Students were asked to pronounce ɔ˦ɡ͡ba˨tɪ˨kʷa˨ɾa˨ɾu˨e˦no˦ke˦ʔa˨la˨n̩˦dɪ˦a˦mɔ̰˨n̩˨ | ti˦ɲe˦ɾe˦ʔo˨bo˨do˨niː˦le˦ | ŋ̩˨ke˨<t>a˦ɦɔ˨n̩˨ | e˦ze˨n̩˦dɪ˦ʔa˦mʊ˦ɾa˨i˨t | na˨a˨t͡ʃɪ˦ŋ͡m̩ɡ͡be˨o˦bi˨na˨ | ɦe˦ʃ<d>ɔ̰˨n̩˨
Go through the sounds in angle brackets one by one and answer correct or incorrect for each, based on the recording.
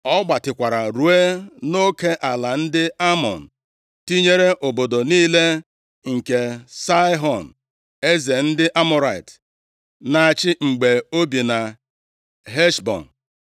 incorrect: s, incorrect: b

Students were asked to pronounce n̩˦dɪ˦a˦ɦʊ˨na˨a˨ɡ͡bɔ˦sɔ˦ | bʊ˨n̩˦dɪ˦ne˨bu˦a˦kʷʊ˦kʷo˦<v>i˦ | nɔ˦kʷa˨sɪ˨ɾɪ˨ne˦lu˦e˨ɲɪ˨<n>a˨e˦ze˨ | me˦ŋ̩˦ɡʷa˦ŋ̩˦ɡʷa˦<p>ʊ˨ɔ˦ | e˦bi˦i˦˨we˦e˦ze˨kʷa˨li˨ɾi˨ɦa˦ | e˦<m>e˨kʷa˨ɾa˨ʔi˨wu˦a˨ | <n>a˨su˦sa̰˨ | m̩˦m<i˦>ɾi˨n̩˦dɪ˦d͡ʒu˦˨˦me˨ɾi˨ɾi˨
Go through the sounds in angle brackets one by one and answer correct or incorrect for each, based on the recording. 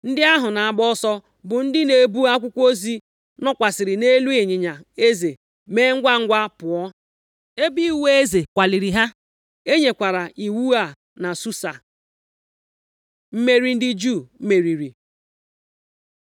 incorrect: z, incorrect: ɲ, correct, incorrect: ɲ, correct, incorrect: e˦

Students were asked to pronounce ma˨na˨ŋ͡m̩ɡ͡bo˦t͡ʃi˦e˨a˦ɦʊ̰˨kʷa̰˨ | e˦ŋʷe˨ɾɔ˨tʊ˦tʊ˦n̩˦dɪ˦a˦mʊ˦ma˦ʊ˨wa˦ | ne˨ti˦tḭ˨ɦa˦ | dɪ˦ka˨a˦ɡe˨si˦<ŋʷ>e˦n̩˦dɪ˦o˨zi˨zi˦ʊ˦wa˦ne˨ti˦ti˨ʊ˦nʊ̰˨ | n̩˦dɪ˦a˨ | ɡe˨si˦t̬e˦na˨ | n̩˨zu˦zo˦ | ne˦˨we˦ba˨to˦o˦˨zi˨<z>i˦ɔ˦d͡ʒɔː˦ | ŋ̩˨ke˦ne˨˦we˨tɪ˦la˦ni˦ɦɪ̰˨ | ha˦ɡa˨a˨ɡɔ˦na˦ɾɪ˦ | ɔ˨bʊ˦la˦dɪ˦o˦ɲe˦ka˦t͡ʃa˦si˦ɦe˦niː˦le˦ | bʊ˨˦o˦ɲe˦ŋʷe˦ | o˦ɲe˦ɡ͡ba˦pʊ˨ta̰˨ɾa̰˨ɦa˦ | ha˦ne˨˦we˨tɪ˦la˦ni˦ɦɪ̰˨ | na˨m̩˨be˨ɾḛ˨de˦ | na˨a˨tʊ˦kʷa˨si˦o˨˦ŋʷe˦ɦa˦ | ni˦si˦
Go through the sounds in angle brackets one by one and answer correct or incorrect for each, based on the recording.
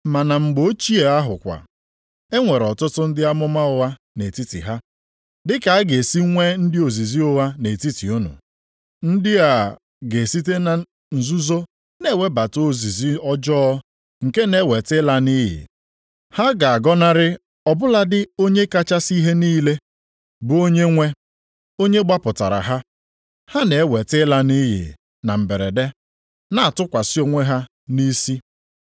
correct, correct

